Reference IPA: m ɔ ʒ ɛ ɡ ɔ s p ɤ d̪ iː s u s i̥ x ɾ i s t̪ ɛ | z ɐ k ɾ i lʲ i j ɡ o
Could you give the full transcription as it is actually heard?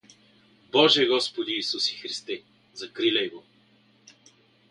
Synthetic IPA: b ɔ ʒ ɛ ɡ ɔ s p o d̪ iː s u s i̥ x ɾ i s t̪ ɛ | z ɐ k ɾ i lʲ ɛ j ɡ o